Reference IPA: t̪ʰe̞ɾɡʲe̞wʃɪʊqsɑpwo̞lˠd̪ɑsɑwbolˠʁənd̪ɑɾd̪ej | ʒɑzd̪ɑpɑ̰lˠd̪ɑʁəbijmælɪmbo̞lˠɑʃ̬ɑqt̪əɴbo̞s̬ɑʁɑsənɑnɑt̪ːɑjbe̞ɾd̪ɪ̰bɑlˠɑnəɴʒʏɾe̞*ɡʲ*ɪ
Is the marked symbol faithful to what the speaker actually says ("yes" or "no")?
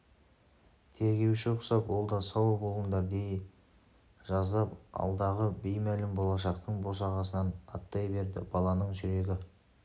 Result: yes